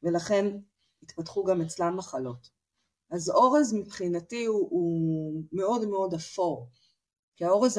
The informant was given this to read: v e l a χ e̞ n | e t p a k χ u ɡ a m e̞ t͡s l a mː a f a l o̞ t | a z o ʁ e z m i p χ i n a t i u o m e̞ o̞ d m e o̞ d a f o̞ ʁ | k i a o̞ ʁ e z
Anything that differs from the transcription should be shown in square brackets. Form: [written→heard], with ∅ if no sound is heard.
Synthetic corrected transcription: v e l a χ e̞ n | [e→i] t p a [k→t] χ u ɡ a m e̞ t͡s l a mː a [f→χ] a l o̞ t | a z o ʁ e z m i p χ i n a t i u [o→u] m e̞ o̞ d m e o̞ d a f o̞ ʁ | k i a o̞ ʁ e z